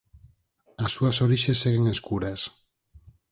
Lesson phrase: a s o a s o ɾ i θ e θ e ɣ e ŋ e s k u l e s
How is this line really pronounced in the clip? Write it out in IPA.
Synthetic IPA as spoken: a s u a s o ɾ i ʃ e s e ɣ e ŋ e s k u ɾ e s